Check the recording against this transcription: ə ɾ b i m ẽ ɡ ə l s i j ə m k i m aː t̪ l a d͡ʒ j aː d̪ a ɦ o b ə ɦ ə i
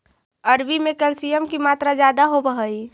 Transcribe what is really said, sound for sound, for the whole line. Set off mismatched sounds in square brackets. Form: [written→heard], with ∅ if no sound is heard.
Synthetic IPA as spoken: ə ɾ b i m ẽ [ɡ→k] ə l s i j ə m k i m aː t̪ [l→ɾ] a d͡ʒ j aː d̪ a ɦ o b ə ɦ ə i